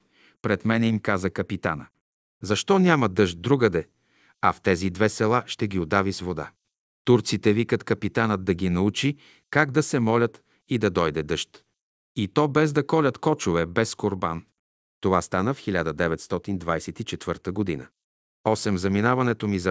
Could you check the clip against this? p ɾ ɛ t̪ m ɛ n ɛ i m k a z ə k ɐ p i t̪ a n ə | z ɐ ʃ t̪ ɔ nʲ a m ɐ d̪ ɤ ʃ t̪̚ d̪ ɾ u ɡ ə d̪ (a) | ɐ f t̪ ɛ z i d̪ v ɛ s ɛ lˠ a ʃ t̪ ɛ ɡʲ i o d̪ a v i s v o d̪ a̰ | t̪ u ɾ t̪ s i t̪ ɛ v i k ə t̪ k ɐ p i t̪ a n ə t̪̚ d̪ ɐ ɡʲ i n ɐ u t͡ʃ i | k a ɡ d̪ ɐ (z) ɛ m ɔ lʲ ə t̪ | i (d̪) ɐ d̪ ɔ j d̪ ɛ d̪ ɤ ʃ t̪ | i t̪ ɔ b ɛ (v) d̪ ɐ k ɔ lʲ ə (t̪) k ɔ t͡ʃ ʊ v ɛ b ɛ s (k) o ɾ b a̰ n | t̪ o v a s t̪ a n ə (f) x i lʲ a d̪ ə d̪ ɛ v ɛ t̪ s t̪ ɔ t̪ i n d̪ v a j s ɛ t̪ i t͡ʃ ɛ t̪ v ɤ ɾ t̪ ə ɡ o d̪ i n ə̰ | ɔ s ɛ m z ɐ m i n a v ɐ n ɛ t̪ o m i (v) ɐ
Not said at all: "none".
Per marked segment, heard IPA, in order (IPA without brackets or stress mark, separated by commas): ɛ, s, d̪, z, t̪, k, f, z